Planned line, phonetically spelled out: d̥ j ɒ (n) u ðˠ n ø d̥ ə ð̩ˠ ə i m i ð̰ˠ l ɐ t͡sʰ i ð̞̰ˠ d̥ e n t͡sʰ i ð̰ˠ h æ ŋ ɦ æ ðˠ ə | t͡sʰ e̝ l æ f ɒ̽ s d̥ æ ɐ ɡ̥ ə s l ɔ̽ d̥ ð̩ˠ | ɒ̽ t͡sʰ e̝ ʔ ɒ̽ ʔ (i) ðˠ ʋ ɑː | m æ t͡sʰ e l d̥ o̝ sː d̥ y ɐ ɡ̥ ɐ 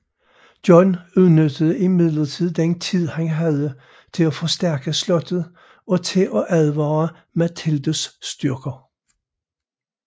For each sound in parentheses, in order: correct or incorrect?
correct, incorrect: æ

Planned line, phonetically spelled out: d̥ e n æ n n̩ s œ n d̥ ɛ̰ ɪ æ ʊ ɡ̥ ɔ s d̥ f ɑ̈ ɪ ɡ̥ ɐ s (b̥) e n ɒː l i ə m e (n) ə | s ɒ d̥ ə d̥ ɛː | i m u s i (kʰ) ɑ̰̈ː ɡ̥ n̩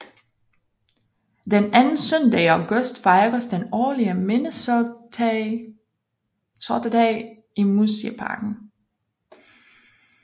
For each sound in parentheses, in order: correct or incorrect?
incorrect: d̥, correct, incorrect: pʰ

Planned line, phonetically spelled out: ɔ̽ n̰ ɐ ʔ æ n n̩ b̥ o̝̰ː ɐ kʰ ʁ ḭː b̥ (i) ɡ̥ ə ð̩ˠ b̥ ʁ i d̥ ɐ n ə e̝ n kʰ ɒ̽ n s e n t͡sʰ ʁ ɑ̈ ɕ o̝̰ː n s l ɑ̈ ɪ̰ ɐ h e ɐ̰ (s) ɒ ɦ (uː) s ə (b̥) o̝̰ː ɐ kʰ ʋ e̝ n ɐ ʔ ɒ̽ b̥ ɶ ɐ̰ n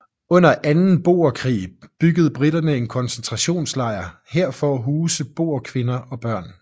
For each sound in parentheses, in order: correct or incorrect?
incorrect: y, incorrect: f, correct, correct

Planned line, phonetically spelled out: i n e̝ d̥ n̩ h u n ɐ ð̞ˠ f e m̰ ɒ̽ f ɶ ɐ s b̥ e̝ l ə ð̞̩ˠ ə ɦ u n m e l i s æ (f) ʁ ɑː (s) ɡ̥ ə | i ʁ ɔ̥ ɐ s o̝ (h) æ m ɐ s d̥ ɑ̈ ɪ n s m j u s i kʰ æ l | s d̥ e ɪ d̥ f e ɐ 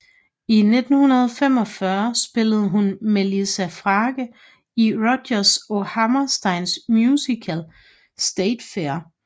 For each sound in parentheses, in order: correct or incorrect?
correct, incorrect: none, correct

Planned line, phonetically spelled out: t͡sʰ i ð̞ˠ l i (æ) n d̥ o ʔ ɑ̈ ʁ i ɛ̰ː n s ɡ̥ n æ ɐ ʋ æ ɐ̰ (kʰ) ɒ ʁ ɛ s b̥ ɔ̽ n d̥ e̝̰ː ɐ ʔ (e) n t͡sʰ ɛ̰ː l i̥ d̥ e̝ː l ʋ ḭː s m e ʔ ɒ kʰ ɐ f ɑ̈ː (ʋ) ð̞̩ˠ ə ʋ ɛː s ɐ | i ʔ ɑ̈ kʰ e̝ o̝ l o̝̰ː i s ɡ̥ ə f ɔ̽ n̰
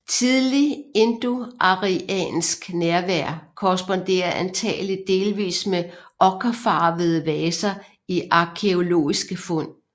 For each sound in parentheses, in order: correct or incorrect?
incorrect: e, correct, incorrect: æ, correct

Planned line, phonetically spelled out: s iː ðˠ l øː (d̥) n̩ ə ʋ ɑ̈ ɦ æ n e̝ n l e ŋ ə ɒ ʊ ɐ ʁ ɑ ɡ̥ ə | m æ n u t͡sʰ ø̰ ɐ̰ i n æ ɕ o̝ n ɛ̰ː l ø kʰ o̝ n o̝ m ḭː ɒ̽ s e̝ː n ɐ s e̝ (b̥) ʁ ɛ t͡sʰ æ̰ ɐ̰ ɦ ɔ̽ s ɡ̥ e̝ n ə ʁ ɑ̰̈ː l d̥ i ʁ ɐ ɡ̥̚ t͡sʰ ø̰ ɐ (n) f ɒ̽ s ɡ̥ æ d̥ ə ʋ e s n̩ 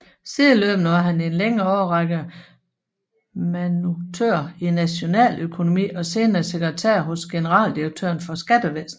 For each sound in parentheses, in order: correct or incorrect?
incorrect: b̥, incorrect: ɡ̥, correct

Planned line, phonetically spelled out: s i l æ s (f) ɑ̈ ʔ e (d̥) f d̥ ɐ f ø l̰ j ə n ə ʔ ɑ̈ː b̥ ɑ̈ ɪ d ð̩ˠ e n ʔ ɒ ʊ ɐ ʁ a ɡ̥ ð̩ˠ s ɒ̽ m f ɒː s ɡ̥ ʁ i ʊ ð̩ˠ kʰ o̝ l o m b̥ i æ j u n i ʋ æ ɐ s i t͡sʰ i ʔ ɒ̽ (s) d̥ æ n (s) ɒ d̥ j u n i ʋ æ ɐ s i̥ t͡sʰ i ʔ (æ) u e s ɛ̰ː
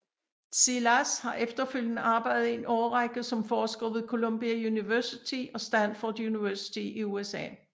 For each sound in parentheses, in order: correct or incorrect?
incorrect: h, incorrect: none, correct, incorrect: f, incorrect: i

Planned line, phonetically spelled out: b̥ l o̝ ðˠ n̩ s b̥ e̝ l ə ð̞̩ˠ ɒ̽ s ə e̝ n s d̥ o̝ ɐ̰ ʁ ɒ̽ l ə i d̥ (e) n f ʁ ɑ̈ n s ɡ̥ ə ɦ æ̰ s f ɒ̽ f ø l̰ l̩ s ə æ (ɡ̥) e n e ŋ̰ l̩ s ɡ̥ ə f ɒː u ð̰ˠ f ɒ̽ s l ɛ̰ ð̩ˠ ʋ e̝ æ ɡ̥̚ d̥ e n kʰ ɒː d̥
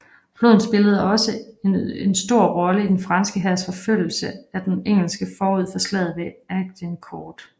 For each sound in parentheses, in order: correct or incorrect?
correct, incorrect: d̥

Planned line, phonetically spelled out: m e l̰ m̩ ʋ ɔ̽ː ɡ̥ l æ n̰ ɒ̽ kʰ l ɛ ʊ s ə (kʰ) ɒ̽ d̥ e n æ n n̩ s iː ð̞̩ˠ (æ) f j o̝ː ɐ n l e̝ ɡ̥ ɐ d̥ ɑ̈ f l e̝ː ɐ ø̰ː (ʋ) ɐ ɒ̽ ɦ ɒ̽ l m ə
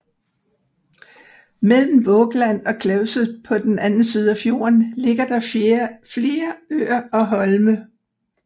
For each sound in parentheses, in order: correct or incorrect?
incorrect: pʰ, correct, incorrect: none

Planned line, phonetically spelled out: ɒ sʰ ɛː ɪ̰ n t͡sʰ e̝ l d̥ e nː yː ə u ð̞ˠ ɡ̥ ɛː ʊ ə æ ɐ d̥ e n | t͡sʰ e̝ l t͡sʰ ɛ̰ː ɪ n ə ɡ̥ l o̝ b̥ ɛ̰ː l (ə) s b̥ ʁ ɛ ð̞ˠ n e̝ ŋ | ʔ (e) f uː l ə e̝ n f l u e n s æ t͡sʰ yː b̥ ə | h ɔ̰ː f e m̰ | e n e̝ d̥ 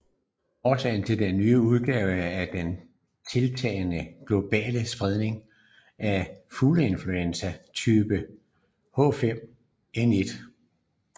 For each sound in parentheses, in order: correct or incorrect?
correct, incorrect: æ

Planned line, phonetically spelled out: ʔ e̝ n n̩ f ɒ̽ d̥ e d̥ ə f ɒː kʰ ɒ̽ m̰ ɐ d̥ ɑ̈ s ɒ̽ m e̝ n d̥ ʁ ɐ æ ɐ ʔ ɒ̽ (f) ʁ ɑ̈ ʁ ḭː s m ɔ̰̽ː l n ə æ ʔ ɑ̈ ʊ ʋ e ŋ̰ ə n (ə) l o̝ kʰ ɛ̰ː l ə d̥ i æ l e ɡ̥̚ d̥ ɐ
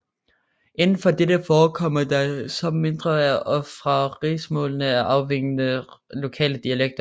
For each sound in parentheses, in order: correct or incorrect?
correct, correct

